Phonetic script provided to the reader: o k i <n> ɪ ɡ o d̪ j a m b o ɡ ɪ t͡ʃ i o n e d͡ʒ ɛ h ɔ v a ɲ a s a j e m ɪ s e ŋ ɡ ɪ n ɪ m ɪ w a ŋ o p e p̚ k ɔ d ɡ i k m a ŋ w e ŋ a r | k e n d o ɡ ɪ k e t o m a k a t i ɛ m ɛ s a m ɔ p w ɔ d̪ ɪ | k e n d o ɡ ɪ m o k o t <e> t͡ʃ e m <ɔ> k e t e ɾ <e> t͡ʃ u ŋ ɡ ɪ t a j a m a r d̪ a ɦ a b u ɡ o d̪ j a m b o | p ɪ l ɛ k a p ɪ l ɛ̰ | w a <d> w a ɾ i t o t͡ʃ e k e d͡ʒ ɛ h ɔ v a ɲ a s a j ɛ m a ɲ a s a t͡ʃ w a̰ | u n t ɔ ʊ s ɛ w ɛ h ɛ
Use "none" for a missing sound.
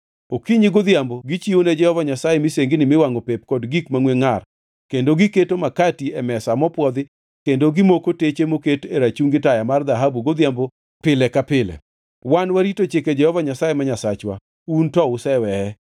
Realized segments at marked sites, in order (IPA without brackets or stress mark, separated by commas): ɲ, e, o, a, n